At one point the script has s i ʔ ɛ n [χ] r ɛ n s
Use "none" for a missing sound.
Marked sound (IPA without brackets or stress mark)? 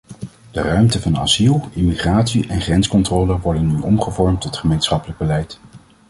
χ